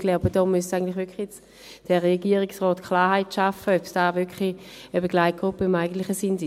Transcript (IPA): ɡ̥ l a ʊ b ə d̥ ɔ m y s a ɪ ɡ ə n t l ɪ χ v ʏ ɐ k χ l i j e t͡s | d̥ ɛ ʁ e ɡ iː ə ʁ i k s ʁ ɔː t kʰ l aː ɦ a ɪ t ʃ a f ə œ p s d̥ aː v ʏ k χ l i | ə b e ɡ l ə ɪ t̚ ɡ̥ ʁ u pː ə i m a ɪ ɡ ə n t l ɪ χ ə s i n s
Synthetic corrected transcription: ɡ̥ l a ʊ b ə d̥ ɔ m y s a ɪ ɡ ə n t l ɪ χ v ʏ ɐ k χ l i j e t͡s | d̥ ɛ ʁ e ɡ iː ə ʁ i k s ʁ ɔː t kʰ l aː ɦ a ɪ t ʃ a f ə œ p s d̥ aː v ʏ k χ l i | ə b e ɡ l a ɪ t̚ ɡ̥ ʁ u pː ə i m a ɪ ɡ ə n t l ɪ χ ə s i n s